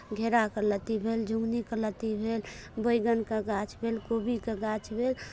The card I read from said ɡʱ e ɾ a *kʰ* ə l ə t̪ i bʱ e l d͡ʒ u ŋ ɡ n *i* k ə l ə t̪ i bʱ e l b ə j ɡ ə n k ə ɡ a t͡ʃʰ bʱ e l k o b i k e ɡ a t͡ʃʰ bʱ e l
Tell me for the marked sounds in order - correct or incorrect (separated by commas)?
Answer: incorrect, correct